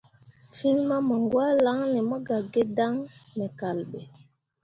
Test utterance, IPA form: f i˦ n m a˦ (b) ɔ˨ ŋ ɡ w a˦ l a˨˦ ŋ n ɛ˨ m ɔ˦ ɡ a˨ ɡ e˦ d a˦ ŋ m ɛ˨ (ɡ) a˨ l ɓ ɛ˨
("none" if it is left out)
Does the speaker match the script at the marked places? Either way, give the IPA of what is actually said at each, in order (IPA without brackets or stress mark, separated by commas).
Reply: m, k